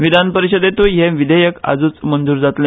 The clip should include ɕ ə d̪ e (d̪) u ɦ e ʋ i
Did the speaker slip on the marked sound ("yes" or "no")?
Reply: yes